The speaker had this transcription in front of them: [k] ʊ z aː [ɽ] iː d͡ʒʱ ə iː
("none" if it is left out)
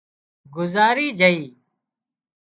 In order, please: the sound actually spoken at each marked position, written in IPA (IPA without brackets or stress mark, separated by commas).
ɡ, ɾ